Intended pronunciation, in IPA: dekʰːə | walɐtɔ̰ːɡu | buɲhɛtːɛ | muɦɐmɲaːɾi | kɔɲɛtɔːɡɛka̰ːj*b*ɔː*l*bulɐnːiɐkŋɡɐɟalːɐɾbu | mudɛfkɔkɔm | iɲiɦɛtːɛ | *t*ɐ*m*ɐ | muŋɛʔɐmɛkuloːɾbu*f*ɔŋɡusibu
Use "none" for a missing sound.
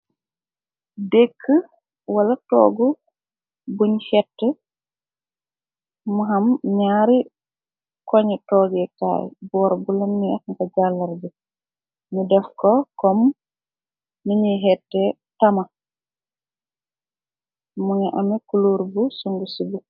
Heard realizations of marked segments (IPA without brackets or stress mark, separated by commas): b, ɾ, t, m, s